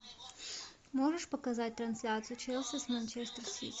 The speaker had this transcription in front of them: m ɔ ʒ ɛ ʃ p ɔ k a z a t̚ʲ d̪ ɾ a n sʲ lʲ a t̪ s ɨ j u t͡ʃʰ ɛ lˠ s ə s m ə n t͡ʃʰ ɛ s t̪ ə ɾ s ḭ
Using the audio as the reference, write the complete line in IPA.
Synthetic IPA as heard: m ɔ ʒ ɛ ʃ p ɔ k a z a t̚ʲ t̪ ɾ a n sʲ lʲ a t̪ s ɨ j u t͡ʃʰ ɛ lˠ s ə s m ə n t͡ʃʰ ɛ s t̪ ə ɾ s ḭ